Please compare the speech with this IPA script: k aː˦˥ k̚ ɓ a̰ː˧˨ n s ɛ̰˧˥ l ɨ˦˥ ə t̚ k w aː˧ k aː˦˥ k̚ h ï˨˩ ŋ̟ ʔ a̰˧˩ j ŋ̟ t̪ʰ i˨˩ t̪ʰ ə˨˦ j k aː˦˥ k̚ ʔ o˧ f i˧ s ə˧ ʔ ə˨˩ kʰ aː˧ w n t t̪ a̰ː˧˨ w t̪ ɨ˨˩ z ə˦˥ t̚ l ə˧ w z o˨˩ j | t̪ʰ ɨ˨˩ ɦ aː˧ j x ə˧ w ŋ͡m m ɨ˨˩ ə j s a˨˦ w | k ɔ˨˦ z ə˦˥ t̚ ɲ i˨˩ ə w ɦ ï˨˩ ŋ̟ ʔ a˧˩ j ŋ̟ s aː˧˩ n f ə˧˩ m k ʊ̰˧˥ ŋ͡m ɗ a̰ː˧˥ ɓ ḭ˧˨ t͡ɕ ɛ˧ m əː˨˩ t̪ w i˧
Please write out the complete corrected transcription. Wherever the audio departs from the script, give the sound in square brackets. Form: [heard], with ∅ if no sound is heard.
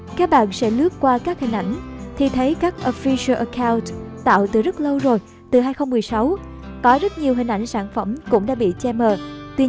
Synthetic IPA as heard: k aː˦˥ k̚ ɓ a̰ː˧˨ n s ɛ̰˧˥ l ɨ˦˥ ə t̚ k w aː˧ k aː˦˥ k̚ h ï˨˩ ŋ̟ ʔ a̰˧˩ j ŋ̟ t̪ʰ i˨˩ t̪ʰ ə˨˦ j k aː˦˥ k̚ ʔ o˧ f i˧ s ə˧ ʔ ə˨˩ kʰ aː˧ w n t t̪ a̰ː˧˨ w t̪ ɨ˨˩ z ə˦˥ t̚ l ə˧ w z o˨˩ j | [t̪] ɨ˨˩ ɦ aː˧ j x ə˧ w ŋ͡m m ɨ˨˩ ə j s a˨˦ w | k ɔ˨˦ z ə˦˥ t̚ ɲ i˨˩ ə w ɦ ï˨˩ ŋ̟ ʔ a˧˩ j ŋ̟ s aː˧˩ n f ə˧˩ m k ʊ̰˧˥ ŋ͡m ɗ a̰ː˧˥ ɓ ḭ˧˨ t͡ɕ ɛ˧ m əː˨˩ t̪ w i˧